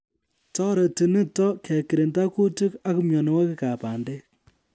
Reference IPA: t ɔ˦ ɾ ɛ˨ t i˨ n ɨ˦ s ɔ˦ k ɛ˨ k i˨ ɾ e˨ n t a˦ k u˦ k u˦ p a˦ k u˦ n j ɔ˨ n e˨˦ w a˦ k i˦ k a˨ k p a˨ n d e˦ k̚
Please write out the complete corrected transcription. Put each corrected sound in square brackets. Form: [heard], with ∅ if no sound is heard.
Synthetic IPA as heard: t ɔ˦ ɾ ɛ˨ t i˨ n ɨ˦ [t] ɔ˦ k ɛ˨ k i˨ ɾ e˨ n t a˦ k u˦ [t] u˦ [k] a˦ k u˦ [m] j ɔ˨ n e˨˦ w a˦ k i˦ k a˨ [∅] p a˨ n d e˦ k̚